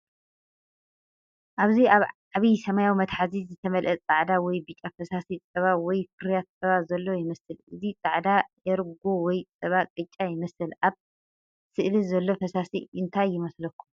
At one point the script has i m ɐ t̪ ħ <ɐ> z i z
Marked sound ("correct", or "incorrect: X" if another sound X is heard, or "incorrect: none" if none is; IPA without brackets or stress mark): incorrect: a